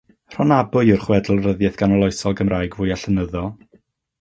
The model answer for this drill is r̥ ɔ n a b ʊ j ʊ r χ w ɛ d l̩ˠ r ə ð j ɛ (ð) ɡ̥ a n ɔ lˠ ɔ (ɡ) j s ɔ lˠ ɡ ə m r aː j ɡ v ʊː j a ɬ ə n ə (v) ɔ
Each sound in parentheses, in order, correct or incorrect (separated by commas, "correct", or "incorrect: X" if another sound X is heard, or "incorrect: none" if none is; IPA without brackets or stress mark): incorrect: θ, incorrect: none, incorrect: ð